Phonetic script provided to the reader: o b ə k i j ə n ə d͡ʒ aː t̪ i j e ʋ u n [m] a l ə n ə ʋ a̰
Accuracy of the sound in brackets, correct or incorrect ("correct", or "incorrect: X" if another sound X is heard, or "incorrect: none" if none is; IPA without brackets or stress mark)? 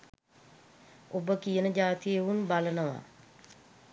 incorrect: b